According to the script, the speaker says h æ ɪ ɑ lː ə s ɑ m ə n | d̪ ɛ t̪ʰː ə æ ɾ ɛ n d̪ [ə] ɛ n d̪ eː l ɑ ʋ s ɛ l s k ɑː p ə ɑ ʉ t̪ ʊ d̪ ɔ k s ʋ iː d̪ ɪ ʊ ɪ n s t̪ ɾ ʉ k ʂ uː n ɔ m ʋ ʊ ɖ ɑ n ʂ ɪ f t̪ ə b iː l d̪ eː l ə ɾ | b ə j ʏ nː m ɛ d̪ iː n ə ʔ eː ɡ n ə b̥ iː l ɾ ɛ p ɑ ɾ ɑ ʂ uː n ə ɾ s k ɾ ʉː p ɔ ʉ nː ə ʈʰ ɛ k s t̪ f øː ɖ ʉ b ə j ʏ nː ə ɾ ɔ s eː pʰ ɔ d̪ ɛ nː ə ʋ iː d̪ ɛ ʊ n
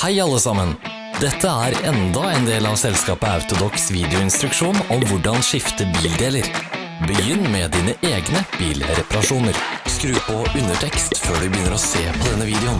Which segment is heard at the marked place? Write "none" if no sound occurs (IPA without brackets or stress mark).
ɑ